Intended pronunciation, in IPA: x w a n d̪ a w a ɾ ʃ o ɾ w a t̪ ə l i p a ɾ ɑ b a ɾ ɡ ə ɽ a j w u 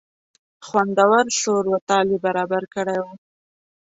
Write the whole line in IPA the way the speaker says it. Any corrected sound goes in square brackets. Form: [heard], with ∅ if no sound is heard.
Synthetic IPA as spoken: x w a n d̪ a w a ɾ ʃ o ɾ w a t̪ [ɑ] l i [b] a ɾ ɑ b a ɾ [k] ə ɽ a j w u